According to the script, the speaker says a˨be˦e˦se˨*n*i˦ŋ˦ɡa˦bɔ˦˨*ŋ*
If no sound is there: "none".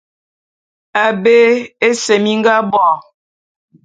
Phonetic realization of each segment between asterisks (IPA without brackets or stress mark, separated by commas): m, none